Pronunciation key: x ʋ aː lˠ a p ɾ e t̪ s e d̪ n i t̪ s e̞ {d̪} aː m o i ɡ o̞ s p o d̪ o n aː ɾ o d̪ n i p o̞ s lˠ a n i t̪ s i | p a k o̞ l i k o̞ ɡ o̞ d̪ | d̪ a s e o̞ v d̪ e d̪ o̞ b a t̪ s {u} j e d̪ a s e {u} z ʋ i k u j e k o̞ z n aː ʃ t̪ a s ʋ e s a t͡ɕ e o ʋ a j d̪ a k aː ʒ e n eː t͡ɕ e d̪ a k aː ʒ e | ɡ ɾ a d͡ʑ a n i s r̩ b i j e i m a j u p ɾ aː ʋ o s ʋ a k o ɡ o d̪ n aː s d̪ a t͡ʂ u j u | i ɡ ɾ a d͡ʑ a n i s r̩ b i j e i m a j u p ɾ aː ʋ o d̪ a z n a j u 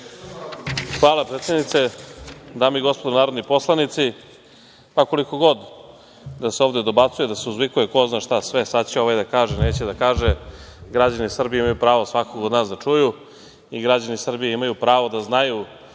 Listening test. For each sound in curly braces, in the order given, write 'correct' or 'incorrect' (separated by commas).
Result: correct, correct, correct